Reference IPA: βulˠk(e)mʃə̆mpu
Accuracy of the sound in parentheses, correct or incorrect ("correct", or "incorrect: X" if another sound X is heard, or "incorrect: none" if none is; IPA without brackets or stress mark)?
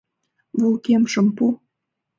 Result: correct